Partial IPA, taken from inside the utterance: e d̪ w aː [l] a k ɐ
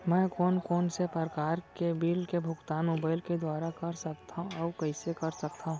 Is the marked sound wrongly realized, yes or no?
yes